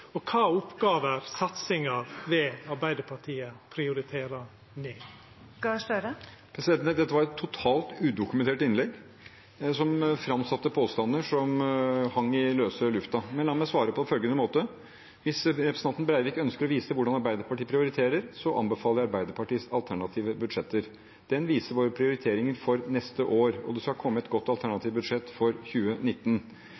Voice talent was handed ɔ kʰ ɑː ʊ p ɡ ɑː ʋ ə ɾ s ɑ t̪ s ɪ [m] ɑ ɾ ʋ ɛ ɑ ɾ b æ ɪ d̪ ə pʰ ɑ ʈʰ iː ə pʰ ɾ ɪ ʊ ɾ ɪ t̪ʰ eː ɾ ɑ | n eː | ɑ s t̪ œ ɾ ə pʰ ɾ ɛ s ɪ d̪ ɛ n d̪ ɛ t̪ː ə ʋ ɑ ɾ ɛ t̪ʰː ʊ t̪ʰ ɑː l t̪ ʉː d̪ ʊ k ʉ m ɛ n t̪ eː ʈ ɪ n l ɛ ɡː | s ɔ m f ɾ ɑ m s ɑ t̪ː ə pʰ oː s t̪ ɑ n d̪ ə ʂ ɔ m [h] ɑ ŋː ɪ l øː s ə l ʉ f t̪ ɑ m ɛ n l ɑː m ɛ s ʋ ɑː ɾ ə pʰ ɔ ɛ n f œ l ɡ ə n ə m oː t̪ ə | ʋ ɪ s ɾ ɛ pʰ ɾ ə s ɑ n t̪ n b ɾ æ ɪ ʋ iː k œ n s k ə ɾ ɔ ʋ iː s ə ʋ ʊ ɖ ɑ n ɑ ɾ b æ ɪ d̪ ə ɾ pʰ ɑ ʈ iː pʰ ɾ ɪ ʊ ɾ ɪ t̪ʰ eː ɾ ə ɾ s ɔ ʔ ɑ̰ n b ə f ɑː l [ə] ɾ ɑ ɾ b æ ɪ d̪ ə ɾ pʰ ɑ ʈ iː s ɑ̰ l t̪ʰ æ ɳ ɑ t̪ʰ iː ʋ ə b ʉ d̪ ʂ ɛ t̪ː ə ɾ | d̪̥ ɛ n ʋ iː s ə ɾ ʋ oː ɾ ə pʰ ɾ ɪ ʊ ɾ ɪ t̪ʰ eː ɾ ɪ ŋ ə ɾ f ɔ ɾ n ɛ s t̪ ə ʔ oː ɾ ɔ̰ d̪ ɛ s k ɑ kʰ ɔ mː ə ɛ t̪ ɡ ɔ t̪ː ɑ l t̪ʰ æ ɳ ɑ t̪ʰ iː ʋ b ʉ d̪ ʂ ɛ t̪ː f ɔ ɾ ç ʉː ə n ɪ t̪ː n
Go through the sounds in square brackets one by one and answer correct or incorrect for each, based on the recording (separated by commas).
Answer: incorrect, correct, correct